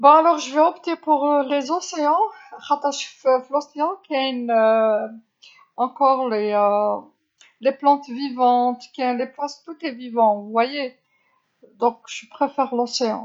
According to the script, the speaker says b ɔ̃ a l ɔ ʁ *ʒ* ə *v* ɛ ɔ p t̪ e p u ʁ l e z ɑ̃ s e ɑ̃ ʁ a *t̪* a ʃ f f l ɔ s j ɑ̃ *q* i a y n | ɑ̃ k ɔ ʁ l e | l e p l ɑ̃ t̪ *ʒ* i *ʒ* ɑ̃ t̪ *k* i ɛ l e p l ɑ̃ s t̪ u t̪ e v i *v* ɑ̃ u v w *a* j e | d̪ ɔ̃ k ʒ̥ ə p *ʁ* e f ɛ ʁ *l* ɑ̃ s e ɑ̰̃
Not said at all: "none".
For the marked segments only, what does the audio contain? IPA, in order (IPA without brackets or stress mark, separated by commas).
ʒ, v, t̪, k, v, v, k, v, a, χ, l